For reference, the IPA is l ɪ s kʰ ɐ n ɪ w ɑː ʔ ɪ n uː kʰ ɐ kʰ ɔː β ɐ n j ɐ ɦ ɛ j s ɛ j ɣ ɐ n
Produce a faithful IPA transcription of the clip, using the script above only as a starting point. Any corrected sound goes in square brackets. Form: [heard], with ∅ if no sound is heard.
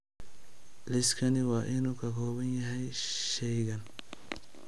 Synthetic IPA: l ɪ s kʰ ɐ n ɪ w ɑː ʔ ɪ n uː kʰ ɐ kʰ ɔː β ɐ n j ɐ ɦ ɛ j [ʃ] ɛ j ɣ ɐ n